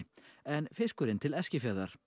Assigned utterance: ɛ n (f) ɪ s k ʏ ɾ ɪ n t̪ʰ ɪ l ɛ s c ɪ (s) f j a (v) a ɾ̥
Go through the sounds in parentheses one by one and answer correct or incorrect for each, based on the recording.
correct, incorrect, incorrect

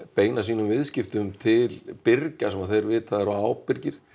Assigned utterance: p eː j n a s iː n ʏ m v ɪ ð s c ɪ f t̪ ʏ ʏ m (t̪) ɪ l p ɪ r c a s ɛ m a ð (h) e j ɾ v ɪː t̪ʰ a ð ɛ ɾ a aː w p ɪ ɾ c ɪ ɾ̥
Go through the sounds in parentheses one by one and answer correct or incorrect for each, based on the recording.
incorrect, incorrect

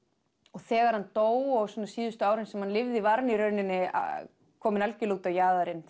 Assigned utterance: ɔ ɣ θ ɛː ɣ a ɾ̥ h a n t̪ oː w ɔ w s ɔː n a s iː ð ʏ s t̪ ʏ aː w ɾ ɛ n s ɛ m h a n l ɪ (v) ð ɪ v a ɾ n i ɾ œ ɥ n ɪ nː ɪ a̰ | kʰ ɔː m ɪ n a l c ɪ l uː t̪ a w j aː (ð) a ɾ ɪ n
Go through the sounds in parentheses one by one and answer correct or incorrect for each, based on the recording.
correct, correct

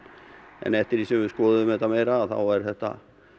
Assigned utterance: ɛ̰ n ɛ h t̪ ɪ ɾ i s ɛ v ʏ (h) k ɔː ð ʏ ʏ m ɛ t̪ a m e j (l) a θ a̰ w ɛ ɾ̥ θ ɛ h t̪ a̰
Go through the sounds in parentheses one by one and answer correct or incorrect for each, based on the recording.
incorrect, incorrect

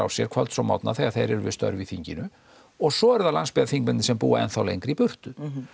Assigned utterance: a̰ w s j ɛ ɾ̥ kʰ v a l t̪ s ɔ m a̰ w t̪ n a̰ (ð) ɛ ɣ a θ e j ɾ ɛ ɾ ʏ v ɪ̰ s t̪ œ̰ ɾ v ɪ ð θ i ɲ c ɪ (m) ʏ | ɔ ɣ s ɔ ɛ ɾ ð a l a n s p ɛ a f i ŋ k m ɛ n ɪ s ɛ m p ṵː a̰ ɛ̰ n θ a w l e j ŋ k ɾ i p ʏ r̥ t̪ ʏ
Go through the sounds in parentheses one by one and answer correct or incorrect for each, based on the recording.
incorrect, incorrect

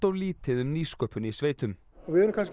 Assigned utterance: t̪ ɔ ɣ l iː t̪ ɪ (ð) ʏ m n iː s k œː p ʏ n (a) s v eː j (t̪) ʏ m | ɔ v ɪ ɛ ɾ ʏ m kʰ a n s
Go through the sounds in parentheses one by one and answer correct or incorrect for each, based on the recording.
correct, incorrect, correct

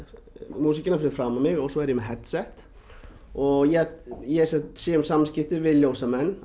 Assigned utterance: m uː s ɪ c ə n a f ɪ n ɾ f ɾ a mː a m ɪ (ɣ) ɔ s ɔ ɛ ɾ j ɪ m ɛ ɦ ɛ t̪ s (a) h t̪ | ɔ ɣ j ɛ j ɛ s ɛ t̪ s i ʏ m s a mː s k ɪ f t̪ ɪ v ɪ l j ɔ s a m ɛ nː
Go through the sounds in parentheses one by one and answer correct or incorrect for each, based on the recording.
correct, incorrect

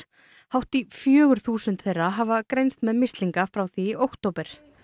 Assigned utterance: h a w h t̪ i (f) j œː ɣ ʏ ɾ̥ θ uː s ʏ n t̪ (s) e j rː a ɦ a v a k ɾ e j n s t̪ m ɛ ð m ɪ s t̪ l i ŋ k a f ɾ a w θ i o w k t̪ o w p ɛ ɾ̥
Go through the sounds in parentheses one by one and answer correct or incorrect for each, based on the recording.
correct, incorrect

